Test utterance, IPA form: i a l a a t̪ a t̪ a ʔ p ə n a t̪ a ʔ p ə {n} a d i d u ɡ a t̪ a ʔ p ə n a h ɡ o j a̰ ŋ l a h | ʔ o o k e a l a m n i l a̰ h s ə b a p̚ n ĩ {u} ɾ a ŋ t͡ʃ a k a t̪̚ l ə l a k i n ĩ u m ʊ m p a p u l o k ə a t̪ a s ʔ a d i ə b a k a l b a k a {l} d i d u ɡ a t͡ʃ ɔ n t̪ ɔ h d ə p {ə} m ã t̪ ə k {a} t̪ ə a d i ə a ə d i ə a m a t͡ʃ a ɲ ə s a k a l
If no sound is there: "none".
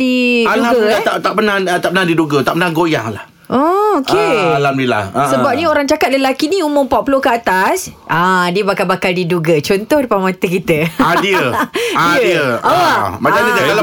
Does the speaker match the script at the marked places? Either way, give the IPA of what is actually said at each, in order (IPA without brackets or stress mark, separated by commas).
n, o, l, a, i